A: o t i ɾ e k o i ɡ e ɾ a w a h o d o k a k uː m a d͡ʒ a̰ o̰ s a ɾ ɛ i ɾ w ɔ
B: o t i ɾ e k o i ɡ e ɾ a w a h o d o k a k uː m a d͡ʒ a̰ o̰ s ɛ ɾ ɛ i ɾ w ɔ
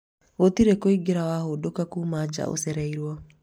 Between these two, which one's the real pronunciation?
B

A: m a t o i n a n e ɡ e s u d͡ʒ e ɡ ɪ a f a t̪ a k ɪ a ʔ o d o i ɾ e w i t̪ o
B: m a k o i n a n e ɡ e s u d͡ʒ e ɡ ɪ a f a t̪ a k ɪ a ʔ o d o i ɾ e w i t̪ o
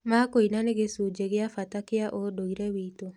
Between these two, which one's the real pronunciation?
B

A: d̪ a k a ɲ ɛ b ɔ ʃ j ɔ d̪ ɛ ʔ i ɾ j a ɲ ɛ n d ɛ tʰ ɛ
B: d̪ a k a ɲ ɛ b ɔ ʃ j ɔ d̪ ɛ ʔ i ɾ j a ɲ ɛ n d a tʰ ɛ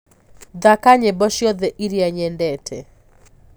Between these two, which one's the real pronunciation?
A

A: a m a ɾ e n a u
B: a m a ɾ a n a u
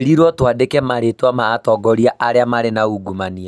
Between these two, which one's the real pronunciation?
A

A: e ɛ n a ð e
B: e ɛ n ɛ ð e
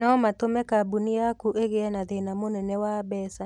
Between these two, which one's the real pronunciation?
A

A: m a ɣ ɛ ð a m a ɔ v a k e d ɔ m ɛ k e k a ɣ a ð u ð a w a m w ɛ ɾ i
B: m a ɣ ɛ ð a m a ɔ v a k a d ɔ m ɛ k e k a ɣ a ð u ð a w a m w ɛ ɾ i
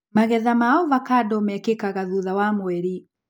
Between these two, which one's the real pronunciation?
B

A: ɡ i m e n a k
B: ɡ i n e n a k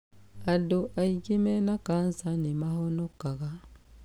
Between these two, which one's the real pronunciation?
A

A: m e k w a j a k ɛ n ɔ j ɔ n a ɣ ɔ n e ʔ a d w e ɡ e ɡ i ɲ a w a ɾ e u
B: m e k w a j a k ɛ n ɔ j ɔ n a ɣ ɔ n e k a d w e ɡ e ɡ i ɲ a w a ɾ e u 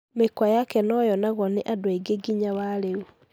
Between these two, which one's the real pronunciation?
A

